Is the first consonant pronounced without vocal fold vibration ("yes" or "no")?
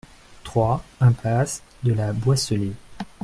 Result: yes